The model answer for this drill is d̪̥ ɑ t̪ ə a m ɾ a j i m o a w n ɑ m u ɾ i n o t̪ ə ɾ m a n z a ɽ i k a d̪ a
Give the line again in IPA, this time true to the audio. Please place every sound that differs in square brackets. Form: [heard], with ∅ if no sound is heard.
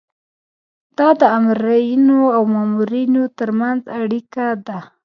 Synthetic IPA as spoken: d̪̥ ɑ [d̪] ə a m ɾ a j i [n] o a w [m] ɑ m u ɾ i n o t̪ ə ɾ m a n z a ɽ i k a d̪ a

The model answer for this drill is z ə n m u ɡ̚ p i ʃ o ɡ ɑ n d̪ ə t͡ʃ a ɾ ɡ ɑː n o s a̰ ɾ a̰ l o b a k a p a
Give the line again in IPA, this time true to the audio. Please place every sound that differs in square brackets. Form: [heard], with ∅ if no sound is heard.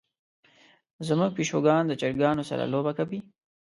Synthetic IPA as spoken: z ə [∅] m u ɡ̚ p i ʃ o ɡ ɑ n d̪ ə t͡ʃ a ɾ ɡ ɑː n o s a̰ ɾ a̰ l o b a k a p [i]

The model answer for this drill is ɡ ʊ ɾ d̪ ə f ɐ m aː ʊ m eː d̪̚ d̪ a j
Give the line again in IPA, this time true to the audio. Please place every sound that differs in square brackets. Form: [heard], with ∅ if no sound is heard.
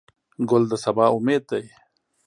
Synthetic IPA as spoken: ɡ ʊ [l] d̪ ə [s] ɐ [b] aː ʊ m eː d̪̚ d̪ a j

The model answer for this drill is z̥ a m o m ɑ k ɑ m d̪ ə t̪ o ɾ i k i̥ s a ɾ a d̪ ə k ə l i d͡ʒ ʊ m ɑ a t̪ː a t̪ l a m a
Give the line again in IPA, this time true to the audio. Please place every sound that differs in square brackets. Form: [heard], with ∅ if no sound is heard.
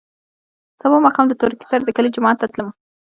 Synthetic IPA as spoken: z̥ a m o m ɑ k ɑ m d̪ ə t̪ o ɾ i k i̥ s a ɾ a d̪ ə k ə l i d͡ʒ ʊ m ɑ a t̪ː a t̪ l [ə] m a

